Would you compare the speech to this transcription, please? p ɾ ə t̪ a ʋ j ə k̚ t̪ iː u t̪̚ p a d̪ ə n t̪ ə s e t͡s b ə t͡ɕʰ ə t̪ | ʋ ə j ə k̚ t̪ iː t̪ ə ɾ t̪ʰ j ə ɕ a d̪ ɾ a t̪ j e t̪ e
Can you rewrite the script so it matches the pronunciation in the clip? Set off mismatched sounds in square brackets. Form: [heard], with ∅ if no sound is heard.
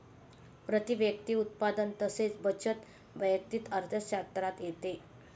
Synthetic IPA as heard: p ɾ ə t̪ [i] ʋ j ə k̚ t̪ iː u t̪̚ p a d̪ ə n t̪ ə s e t͡s b ə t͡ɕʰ ə t̪ | ʋ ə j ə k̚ t̪ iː t̪ ə ɾ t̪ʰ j ə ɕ a [t̪] ɾ a t̪ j e t̪ e